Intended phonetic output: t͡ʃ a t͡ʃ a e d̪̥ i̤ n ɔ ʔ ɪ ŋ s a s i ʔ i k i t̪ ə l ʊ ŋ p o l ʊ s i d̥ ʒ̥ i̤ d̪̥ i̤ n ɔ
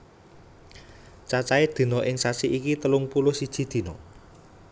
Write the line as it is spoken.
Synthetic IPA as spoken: t͡ʃ a t͡ʃ a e d̪̥ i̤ n ɔ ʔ ɪ ŋ s a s i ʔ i k i t̪ ə l ʊ ŋ p u l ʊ s i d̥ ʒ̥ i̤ d̪̥ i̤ n ɔ